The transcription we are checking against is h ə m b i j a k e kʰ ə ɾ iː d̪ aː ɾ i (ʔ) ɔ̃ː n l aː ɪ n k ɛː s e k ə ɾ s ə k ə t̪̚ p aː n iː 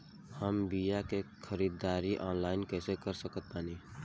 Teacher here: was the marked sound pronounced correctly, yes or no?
yes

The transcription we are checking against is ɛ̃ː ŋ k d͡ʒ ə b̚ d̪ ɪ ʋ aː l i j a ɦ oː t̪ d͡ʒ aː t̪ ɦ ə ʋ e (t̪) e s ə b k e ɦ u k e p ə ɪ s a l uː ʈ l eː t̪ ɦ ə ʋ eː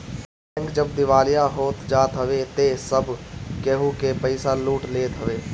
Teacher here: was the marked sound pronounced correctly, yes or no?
yes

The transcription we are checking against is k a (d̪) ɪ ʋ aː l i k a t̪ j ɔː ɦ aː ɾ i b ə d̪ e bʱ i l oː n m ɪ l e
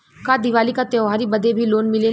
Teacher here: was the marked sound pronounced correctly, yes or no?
yes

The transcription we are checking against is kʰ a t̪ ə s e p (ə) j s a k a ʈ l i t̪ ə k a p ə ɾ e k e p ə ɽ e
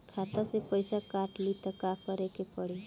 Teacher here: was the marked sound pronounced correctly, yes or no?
yes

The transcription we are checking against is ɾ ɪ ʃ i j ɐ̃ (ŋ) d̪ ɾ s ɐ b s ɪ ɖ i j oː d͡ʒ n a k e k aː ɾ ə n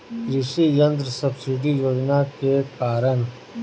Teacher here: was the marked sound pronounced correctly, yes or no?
no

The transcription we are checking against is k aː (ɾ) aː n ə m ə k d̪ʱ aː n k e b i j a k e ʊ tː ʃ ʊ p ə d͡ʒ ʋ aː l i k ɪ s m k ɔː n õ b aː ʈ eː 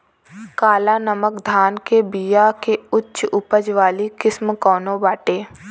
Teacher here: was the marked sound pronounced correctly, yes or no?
no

